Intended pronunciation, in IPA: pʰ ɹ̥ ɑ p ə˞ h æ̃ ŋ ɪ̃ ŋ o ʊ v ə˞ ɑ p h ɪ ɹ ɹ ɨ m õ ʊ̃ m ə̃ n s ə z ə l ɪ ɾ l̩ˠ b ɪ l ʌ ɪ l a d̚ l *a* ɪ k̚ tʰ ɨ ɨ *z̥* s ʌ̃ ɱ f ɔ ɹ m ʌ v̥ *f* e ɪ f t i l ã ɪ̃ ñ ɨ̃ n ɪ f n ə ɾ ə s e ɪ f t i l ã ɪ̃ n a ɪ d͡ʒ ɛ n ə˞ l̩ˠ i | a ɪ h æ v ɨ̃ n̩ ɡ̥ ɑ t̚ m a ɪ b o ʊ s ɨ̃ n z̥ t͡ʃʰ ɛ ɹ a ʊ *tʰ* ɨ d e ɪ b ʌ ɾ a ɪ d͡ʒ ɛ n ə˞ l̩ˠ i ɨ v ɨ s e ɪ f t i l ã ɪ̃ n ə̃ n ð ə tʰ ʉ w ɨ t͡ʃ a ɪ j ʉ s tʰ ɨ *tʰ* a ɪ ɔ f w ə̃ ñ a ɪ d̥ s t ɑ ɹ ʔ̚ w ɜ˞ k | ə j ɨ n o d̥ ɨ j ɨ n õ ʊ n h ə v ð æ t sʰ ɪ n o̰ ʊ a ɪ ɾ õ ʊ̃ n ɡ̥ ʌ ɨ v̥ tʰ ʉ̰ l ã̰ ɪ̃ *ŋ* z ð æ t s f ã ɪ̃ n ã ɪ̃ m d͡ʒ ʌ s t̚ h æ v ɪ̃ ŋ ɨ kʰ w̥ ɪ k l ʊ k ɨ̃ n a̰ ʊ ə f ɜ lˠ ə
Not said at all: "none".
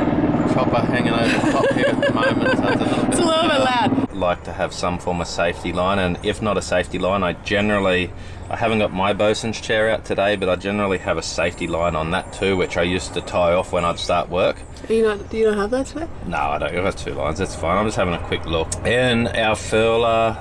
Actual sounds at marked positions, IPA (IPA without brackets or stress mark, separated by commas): a, v̥, s, tʰ, tʰ, n